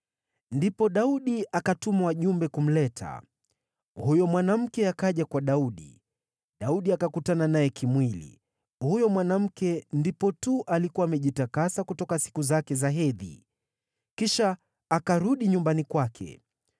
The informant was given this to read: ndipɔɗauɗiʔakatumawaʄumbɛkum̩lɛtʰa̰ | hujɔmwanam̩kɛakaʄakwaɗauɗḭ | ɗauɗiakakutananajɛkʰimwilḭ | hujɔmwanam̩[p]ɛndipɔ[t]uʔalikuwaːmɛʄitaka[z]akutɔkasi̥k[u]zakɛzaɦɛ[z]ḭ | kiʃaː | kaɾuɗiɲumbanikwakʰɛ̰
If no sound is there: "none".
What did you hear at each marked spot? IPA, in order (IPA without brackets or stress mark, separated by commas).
k, t, s, u, ð